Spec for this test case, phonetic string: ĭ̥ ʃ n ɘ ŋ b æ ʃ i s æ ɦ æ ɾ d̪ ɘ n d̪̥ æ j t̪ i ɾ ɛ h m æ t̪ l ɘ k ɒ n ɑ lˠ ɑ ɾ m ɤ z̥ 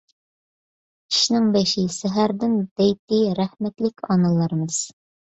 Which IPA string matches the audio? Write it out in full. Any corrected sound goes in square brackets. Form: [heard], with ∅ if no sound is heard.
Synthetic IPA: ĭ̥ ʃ n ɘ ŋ b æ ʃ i s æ ɦ æ ɾ d̪ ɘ n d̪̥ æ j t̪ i ɾ [æ] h m æ t̪ l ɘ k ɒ n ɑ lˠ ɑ ɾ m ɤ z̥

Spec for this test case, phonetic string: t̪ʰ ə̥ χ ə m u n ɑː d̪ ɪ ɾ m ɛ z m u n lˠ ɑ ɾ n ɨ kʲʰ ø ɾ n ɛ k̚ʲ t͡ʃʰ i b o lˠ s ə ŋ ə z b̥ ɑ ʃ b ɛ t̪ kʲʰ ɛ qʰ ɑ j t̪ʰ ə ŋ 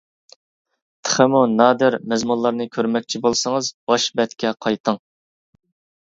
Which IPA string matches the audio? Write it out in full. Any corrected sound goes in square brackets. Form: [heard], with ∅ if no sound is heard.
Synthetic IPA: t̪ʰ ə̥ χ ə m u n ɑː d̪ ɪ ɾ m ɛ z m u n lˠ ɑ ɾ n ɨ kʲʰ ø ɾ [m] ɛ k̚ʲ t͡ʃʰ i b o lˠ s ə ŋ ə z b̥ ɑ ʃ b ɛ t̪ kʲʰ ɛ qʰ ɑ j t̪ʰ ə ŋ

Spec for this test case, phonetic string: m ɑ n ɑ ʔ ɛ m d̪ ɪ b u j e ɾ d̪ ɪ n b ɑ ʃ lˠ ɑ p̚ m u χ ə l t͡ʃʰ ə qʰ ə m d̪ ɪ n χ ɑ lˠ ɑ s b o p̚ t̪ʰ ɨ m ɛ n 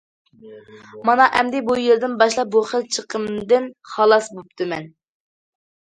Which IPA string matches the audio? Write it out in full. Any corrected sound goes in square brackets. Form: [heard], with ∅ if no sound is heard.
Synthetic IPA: m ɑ n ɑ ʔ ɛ m d̪ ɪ b u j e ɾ d̪ ɪ n b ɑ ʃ lˠ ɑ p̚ [b] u χ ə l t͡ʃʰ ə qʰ ə m d̪ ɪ n χ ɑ lˠ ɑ s b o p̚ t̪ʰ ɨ m ɛ n

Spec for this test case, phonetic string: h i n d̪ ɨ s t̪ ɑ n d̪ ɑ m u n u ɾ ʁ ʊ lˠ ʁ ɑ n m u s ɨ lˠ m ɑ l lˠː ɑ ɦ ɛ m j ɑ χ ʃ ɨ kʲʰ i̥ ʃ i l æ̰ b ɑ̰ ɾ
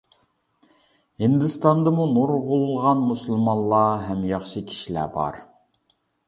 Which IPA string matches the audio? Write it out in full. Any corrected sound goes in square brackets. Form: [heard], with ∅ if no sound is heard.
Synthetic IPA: h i n d̪ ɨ s t̪ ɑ n d̪ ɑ m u n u ɾ ʁ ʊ lˠ ʁ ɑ n m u s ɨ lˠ m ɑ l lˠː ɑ ɦ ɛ m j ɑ χ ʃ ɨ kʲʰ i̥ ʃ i l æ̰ b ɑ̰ ɾ

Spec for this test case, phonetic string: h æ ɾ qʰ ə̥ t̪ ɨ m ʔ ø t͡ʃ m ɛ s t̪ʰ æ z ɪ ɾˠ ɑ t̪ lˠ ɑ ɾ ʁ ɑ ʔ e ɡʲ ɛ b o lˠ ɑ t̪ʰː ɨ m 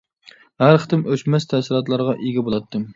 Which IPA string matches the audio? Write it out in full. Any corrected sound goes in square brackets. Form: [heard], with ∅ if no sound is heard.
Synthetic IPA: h æ ɾ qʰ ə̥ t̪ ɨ m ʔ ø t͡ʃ m ɛ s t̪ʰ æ [s] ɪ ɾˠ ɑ t̪ lˠ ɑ ɾ ʁ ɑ ʔ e ɡʲ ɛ b o lˠ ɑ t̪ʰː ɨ m

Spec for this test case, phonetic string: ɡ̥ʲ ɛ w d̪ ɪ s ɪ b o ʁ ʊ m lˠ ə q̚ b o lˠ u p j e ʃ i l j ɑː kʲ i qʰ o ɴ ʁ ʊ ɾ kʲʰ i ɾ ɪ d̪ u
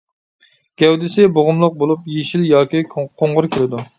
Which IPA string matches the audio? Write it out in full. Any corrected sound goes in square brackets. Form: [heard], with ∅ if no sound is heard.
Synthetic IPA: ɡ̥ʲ ɛ w d̪ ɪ s ɪ b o ʁ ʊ m lˠ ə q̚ b o lˠ u p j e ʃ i l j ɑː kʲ i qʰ o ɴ ʁ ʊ ɾ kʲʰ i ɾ ɪ d̪ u

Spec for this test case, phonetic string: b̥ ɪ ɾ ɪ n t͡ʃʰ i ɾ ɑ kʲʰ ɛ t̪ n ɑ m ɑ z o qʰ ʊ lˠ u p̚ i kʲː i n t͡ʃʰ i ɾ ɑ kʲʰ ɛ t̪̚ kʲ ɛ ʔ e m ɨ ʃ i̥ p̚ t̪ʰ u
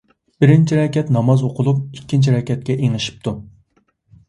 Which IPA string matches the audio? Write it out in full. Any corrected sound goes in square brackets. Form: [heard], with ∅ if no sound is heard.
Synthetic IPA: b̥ ɪ ɾ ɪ n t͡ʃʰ i ɾ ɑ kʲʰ ɛ t̪ n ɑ m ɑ z o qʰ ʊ lˠ u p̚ i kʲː i n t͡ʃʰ i ɾ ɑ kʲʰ ɛ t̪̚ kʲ ɛ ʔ e [ŋ] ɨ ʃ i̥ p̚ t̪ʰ u

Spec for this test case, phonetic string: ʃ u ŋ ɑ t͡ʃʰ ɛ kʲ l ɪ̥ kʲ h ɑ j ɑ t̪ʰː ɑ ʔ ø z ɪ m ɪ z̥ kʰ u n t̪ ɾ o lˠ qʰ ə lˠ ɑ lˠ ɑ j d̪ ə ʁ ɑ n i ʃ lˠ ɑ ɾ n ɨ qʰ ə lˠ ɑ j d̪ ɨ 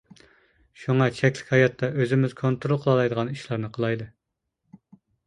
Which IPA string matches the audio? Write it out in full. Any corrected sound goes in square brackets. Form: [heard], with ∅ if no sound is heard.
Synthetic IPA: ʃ u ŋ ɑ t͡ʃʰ ɛ kʲ l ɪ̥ kʲ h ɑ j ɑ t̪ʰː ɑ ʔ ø z ɪ m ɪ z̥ kʰ [o] n t̪ ɾ o lˠ qʰ ə lˠ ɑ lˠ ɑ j d̪ ə ʁ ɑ n i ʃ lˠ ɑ ɾ n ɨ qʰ ə lˠ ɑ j d̪ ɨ

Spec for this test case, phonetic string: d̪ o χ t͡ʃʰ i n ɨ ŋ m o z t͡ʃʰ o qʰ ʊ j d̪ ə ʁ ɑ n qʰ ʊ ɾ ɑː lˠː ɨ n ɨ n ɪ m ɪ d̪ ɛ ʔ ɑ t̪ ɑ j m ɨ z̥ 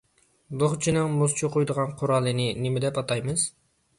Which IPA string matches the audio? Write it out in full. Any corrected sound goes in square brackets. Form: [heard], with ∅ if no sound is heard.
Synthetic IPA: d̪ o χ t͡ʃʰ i n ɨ ŋ m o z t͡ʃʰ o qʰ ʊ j d̪ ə ʁ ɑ n qʰ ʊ ɾ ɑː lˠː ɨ n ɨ n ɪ m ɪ d̪ ɛ [p] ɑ t̪ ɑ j m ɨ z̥

